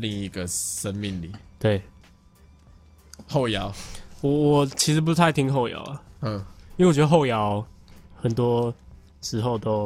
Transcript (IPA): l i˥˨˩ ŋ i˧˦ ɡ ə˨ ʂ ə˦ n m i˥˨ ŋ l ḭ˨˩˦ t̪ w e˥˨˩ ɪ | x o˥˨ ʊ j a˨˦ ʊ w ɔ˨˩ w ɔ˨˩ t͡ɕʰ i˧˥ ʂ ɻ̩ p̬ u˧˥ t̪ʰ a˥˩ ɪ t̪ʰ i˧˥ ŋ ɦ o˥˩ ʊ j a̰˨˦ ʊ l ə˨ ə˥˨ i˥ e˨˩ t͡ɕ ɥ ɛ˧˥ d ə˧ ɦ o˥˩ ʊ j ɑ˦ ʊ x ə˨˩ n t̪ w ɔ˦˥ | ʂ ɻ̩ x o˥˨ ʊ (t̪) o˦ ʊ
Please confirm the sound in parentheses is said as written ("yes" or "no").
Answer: yes